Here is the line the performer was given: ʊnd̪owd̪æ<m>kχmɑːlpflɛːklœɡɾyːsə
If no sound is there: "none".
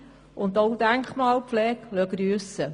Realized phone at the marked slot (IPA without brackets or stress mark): ŋ